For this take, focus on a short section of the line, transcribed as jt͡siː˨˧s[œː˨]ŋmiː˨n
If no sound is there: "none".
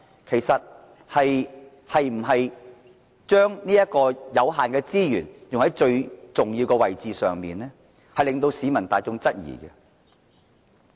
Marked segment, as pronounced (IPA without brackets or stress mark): œː˨